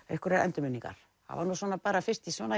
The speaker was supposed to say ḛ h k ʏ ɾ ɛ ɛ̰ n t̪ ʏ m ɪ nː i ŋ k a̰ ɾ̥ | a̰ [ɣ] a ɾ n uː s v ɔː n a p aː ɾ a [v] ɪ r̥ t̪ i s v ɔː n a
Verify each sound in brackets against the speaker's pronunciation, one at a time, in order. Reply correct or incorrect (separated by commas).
incorrect, incorrect